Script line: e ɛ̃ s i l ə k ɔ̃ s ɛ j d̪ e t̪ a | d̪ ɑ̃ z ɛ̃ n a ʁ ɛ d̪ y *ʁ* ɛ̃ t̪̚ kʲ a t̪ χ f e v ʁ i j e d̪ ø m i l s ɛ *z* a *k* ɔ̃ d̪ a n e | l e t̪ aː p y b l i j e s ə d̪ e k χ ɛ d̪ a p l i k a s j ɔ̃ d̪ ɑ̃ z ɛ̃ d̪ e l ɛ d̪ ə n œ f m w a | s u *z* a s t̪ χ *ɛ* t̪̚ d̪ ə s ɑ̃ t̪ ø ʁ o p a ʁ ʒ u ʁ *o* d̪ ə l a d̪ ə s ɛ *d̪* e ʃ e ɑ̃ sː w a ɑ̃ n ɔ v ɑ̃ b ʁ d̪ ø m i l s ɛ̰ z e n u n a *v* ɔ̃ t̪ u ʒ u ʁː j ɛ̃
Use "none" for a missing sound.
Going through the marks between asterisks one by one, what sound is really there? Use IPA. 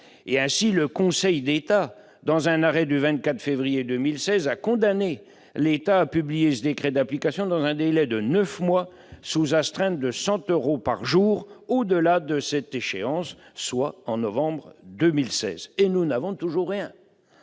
v, z, k, z, ɛ̃, o, t̪, v

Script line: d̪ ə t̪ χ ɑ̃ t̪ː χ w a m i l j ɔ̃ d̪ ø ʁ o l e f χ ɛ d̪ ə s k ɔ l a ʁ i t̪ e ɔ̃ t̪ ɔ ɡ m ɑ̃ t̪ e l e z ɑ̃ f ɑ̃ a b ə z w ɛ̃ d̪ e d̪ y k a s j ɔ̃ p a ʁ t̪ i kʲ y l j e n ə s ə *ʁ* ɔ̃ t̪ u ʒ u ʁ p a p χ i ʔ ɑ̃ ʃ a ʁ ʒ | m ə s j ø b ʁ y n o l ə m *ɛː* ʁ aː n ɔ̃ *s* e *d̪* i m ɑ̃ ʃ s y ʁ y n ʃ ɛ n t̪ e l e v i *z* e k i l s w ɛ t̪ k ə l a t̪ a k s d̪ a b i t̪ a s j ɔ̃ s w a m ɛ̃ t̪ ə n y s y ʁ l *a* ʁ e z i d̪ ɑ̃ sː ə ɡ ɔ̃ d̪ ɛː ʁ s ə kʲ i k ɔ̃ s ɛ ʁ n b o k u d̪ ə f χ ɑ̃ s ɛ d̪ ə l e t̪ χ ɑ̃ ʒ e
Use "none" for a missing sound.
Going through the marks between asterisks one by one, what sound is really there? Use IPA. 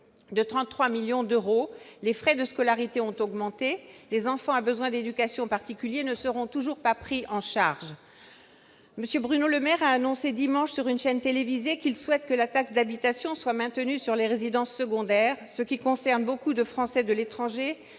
ʁ, ɛ, s, d̪, z, e

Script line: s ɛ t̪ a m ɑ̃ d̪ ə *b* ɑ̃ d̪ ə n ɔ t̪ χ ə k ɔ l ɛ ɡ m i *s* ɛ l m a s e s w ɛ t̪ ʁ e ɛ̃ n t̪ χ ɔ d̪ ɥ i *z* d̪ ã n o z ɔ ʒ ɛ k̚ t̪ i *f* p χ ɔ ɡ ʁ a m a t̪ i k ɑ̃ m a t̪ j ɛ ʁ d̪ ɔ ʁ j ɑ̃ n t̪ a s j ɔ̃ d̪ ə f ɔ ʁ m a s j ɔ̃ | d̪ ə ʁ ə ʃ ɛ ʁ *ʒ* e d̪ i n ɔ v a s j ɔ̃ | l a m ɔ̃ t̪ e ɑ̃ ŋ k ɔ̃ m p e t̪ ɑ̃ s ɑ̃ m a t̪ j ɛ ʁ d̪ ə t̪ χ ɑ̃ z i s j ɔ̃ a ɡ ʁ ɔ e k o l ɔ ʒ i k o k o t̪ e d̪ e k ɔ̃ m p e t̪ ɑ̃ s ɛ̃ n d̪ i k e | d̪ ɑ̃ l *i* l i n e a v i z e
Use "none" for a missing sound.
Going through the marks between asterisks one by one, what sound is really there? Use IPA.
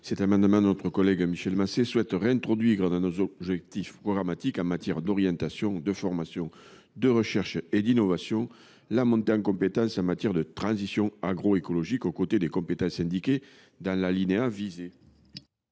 m, ʃ, ʁ, f, ʃ, a

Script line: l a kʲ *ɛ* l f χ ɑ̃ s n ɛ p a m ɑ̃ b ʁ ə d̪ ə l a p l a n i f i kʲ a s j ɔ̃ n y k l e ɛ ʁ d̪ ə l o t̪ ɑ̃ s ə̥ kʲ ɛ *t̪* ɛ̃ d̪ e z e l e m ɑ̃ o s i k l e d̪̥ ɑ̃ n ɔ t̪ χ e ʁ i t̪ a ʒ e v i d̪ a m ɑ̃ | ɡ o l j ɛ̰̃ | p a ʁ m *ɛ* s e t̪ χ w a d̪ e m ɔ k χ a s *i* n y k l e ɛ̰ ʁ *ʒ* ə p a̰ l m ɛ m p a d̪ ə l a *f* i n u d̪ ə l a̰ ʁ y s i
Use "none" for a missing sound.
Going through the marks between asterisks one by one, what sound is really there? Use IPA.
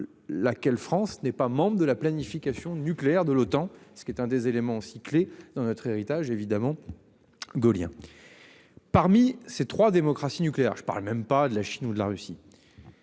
ɛ, t̪, i, i, ʒ, ʃ

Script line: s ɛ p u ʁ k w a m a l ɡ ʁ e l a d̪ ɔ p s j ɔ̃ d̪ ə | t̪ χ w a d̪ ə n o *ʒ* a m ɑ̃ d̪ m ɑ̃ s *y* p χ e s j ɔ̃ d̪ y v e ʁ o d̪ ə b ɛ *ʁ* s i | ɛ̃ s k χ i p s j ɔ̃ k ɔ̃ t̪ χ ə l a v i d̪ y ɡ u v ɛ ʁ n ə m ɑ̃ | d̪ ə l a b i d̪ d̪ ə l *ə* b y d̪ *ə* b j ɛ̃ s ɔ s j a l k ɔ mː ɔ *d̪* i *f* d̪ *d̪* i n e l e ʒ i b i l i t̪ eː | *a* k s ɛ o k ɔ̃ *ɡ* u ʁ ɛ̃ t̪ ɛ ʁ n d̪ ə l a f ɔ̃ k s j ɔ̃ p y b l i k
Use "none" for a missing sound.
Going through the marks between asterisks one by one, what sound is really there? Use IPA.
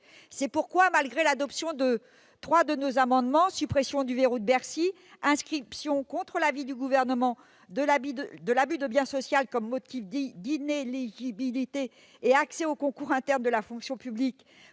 z, y, ʁ, a, ə, t̪, f, d̪, a, k

